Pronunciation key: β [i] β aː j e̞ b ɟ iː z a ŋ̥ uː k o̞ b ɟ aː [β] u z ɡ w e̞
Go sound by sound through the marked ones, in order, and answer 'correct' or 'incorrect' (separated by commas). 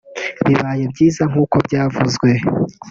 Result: correct, incorrect